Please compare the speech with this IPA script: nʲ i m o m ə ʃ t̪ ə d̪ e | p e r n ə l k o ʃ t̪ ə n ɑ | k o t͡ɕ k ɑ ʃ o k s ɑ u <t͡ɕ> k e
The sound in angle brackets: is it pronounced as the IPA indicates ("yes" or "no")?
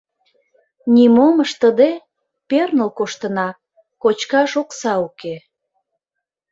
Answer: no